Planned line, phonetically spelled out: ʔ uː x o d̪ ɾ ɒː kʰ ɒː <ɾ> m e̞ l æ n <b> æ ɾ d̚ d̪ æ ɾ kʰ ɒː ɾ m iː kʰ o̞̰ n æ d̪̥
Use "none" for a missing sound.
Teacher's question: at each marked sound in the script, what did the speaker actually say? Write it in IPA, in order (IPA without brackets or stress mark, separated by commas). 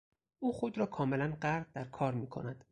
none, ɢ